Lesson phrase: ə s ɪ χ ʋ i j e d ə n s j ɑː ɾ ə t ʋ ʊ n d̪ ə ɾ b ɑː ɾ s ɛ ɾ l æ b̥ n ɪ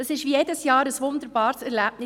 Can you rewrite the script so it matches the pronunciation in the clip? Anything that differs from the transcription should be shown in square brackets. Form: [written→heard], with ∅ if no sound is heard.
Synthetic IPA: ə s ɪ [χ→ʃ] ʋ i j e d ə [n→∅] s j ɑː ɾ ə [t→s] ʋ ʊ n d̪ ə ɾ b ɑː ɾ s ɛ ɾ l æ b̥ n ɪ